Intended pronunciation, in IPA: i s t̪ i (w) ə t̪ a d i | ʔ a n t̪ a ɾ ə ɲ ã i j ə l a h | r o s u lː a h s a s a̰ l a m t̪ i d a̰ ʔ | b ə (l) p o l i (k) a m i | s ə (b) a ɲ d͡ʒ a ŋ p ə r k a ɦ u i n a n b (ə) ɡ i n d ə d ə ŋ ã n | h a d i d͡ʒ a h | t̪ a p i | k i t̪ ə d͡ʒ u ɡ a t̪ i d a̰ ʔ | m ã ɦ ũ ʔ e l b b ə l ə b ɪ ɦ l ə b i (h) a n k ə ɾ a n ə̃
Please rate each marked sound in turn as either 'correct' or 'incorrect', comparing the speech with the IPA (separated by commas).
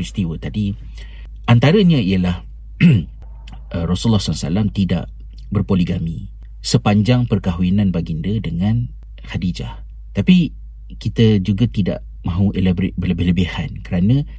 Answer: correct, incorrect, incorrect, incorrect, incorrect, correct